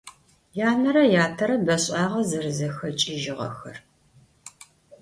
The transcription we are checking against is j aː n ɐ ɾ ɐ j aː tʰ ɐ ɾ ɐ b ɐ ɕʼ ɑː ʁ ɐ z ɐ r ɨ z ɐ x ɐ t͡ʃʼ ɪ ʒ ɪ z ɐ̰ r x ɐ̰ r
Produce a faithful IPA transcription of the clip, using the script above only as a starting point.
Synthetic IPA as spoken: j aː n ɐ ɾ ɐ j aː tʰ ɐ ɾ ɐ b ɐ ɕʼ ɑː ʁ ɐ z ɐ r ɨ z ɐ x ɐ t͡ʃʼ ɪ ʒ ɪ ʁ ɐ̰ x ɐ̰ r